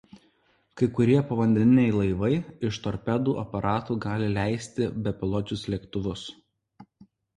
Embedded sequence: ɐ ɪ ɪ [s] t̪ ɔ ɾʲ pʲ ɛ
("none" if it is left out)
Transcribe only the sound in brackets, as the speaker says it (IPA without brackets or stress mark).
ʃ